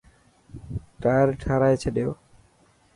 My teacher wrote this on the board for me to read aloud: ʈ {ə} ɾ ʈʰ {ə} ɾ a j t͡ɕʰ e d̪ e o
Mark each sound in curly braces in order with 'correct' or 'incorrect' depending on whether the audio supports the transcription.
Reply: incorrect: a, incorrect: a

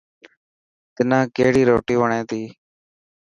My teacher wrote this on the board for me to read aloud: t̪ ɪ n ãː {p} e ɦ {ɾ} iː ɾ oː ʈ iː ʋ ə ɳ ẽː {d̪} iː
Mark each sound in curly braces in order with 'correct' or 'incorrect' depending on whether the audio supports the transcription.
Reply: incorrect: k, incorrect: ɽ, incorrect: t̪

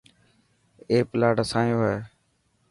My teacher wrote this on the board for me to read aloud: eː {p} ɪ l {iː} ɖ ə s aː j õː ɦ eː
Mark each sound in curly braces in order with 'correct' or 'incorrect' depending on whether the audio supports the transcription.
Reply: correct, incorrect: aː

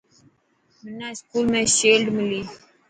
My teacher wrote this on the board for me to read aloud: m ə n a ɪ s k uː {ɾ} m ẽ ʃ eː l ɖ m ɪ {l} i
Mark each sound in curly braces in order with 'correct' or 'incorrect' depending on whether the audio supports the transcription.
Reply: incorrect: l, correct

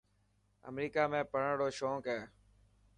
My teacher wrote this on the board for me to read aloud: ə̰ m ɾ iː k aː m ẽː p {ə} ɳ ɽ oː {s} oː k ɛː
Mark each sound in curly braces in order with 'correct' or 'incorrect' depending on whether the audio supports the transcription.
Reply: correct, incorrect: ʃ

